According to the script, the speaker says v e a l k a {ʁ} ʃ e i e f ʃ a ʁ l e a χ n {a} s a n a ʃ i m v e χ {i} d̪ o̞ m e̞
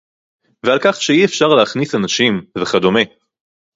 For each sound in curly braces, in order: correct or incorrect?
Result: incorrect: χ, incorrect: i, incorrect: a

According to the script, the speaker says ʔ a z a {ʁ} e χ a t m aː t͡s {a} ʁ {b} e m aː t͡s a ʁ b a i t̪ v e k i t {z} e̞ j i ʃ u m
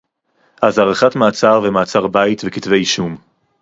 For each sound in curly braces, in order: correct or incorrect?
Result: correct, correct, incorrect: v, incorrect: v

